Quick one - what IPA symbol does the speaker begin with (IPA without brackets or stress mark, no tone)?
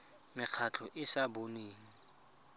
m